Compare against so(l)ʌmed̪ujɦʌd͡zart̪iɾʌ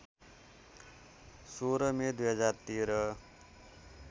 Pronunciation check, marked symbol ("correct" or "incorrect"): incorrect